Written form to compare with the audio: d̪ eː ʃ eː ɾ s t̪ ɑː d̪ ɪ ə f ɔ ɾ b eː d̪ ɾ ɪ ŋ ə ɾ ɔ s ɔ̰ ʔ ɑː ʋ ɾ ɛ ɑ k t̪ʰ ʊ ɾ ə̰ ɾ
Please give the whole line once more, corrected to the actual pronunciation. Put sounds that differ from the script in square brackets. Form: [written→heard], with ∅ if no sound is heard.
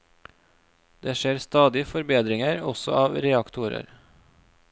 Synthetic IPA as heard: d̪ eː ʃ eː ɾ s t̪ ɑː d̪ ɪ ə f ɔ ɾ b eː d̪ ɾ ɪ ŋ ə ɾ ɔ s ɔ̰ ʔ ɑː ʋ ɾ ɛ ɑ k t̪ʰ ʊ ɾ ə̰ ɾ

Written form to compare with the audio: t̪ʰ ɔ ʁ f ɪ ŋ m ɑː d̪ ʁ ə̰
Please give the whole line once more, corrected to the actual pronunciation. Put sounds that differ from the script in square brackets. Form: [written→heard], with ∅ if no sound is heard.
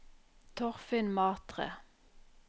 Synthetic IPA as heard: t̪ʰ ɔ ʁ f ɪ [ŋ→n] m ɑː [d̪→t̪] ʁ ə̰

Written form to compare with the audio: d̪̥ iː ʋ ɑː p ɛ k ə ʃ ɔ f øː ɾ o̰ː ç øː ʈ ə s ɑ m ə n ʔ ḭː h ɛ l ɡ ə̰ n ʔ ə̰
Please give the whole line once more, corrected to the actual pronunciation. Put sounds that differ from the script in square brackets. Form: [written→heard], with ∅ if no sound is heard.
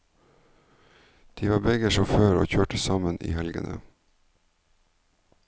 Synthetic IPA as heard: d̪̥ iː ʋ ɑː [p→b] ɛ [k→ɡ] ə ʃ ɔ f øː ɾ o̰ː ç øː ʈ ə s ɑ m ə n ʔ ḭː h ɛ l ɡ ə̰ n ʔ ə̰

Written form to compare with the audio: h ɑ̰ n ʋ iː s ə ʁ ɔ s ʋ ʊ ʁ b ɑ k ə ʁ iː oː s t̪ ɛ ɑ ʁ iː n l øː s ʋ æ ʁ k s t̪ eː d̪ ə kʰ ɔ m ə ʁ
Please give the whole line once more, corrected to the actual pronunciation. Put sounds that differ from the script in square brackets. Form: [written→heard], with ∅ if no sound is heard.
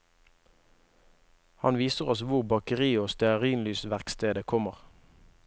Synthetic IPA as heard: h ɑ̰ n ʋ iː s ə ʁ ɔ s ʋ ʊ ʁ b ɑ k ə ʁ iː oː s t̪ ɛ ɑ ʁ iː n l [øː→yː] s ʋ æ ʁ k s t̪ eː d̪ ə kʰ ɔ m ə ʁ

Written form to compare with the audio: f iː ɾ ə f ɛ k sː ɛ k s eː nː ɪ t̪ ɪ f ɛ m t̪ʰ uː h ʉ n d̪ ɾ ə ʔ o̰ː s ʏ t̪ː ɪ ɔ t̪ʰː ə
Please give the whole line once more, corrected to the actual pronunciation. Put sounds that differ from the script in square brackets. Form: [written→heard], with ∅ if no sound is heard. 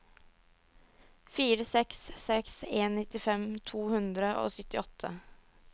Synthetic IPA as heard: f iː ɾ ə [f→s] ɛ k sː ɛ k s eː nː ɪ t̪ ɪ f ɛ m t̪ʰ uː h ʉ n d̪ ɾ ə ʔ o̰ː s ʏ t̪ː ɪ ɔ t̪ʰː ə

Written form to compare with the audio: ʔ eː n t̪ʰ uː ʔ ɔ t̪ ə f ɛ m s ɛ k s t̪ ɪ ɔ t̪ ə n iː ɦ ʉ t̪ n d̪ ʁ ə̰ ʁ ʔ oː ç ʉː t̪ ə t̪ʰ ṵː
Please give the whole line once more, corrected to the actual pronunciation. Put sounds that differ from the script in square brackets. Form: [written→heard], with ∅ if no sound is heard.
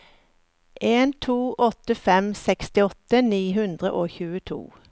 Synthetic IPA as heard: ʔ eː n t̪ʰ uː ʔ ɔ t̪ ə f ɛ m s ɛ k s t̪ ɪ ɔ t̪ ə n iː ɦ ʉ [t̪→∅] n d̪ ʁ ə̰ [ʁ→∅] ʔ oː ç ʉː [t̪→∅] ə t̪ʰ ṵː

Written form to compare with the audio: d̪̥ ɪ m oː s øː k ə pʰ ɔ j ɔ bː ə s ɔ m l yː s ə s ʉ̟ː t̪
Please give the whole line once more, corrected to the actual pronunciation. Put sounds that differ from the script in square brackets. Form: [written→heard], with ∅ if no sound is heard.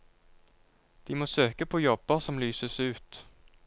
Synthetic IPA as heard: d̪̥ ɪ m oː s øː k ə pʰ ɔ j ɔ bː ə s ɔ m l yː s ə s ʉ̟ː t̪

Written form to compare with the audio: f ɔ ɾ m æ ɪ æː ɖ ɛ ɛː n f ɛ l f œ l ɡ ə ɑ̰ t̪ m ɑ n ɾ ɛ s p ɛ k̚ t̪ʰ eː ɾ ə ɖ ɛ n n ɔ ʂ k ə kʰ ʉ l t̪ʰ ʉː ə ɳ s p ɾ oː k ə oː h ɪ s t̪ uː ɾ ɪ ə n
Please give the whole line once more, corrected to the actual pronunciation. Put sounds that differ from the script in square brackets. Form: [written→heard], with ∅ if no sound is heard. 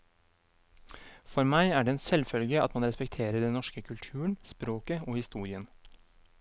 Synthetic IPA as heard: f ɔ ɾ m æ ɪ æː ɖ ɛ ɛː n [f→s] ɛ l f œ l ɡ ə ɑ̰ t̪ m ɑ n ɾ ɛ s p ɛ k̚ t̪ʰ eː ɾ ə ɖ ɛ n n ɔ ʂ k ə kʰ ʉ l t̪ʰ ʉː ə ɳ s p ɾ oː k ə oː h ɪ s t̪ uː ɾ ɪ ə n

